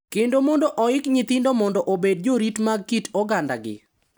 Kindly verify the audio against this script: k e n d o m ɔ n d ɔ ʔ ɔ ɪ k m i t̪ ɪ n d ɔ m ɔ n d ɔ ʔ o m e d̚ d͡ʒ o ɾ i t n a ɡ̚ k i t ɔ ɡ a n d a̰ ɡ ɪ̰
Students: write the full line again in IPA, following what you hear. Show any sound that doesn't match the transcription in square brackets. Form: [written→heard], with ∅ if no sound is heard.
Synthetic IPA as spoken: k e n d o m ɔ n d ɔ ʔ ɔ ɪ k [m→ɲ] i t̪ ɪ n d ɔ m ɔ n d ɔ ʔ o [m→b] e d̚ d͡ʒ o ɾ i t [n→m] a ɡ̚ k i t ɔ ɡ a n d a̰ ɡ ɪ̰